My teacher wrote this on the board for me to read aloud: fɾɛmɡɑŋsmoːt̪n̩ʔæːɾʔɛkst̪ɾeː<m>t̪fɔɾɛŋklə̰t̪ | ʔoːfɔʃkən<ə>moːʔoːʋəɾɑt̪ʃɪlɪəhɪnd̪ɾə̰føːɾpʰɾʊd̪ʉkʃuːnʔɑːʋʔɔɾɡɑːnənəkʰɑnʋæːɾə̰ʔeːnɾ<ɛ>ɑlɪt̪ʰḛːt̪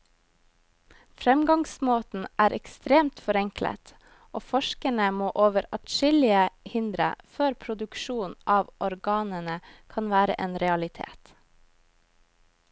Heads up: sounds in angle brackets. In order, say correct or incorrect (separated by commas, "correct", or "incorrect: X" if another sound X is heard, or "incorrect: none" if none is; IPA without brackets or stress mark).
correct, correct, correct